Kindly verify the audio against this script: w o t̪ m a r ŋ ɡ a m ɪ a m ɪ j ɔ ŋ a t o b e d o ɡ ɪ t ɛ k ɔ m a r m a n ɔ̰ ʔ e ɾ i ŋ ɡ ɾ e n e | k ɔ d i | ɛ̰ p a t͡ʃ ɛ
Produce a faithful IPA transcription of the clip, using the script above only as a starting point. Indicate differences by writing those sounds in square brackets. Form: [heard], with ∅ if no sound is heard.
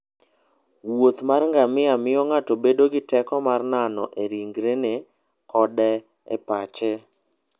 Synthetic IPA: w o t̪ m a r ŋ ɡ a m ɪ a m ɪ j ɔ ŋ a t o b e d o ɡ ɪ t ɛ k ɔ m a r [n] a n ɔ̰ ʔ e ɾ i ŋ ɡ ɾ e n e | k ɔ d [ɛ] | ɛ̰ p a t͡ʃ ɛ